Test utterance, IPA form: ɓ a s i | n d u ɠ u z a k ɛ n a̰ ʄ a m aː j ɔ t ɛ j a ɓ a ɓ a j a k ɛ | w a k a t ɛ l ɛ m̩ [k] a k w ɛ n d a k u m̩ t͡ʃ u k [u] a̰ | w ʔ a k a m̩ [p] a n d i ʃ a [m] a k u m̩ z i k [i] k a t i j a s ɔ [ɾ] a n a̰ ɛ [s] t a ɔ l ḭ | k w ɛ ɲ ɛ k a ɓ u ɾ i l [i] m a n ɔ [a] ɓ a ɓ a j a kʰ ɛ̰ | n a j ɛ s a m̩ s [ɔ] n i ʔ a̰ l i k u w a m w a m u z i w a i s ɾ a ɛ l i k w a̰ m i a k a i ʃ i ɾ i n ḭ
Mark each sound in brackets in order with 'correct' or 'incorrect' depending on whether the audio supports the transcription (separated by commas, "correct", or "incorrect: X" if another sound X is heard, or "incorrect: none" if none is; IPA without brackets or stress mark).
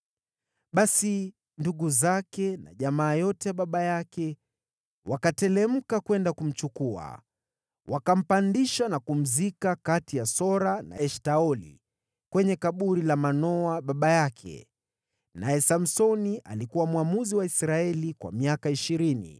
correct, correct, correct, incorrect: n, incorrect: a, correct, incorrect: ʃ, incorrect: a, correct, correct